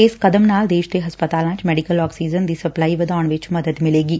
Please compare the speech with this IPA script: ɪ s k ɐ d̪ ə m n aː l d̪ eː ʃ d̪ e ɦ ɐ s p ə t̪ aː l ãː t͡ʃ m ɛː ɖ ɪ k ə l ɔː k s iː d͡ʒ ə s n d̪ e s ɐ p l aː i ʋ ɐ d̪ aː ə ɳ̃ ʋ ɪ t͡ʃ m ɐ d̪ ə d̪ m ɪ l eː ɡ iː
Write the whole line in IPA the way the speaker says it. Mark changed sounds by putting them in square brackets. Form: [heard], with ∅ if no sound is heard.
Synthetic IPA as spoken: ɪ s k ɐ d̪ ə m n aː l d̪ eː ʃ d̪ e ɦ ɐ s p ə t̪ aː l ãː t͡ʃ m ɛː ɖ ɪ k ə l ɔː k s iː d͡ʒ ə [∅] n d̪ [i] s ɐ p l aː i ʋ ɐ d̪ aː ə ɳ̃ ʋ ɪ t͡ʃ m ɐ d̪ ə d̪ m ɪ l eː ɡ iː